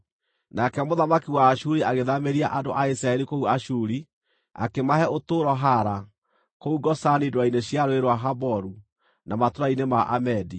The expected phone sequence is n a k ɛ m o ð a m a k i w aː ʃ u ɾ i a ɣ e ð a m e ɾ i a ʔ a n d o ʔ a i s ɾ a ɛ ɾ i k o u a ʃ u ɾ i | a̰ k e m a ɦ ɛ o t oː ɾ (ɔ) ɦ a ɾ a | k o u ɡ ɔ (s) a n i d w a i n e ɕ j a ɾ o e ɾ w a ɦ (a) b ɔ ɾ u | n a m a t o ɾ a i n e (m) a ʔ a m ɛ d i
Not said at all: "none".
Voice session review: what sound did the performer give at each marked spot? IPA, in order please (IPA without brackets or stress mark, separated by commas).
ɔ, s, a, m